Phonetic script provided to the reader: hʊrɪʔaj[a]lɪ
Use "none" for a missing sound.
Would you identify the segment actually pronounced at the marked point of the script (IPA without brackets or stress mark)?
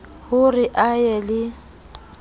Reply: ɛ